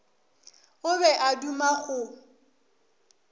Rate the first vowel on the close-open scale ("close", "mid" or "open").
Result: close